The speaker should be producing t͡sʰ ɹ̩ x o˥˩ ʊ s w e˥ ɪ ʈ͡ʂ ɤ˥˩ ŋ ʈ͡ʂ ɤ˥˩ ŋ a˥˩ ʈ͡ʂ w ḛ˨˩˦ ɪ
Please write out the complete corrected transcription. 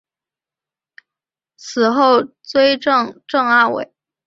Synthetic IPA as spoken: t͡sʰ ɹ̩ x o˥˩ ʊ t͡s w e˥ ɪ ʈ͡ʂ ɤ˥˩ ŋ ʈ͡ʂ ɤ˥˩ ŋ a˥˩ w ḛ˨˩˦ ɪ